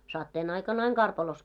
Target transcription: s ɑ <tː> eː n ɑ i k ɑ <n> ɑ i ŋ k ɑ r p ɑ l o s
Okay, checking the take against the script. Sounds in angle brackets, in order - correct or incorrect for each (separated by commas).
correct, correct